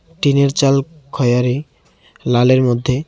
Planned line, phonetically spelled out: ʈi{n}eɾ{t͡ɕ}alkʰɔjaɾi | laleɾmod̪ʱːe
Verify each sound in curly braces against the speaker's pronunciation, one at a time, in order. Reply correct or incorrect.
correct, correct

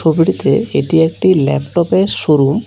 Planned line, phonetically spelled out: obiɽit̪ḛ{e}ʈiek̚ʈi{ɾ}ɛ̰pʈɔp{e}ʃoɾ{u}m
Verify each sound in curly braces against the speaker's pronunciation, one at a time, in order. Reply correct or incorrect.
correct, incorrect, correct, correct

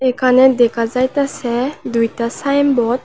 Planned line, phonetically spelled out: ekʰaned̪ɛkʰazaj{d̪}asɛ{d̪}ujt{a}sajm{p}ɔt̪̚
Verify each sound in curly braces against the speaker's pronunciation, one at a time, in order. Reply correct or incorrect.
incorrect, correct, correct, incorrect

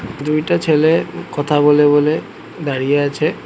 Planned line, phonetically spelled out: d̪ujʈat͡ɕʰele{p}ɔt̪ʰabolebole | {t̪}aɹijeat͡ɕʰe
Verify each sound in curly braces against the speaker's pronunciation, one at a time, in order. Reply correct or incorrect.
incorrect, incorrect

